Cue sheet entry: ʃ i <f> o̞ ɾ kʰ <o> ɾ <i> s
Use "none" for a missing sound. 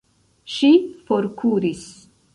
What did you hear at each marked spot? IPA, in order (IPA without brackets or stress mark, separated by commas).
f, u, i